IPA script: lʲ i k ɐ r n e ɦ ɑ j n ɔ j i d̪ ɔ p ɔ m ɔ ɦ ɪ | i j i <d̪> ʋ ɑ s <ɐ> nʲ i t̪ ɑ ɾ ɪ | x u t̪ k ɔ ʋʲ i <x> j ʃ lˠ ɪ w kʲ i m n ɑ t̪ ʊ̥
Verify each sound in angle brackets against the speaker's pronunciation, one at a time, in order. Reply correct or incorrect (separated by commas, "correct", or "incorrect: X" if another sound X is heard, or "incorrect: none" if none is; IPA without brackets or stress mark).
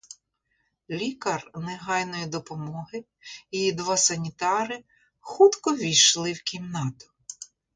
correct, correct, incorrect: none